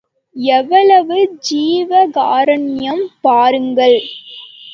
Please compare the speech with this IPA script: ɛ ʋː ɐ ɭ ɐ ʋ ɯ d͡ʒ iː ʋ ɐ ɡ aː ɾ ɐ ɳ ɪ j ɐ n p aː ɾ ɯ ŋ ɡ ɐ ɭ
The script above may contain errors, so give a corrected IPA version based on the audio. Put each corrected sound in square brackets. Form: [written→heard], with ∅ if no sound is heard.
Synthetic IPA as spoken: ɛ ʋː ɐ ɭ ɐ ʋ ɯ d͡ʒ iː ʋ ɐ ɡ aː ɾ ɐ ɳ ɪ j ɐ [n→m] p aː ɾ ɯ ŋ ɡ ɐ ɭ